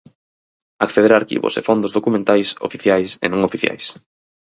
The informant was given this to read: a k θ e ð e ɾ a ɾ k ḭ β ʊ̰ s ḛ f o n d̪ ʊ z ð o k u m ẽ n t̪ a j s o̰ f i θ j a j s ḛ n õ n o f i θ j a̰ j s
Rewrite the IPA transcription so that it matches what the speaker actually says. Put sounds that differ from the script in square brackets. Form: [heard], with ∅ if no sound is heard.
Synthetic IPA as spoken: a k θ e ð e ɾ a ɾ k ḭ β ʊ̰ s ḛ f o n d̪ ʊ z ð o k u m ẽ n t̪ a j s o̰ f i θ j a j s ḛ n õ [ŋ] o f i θ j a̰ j s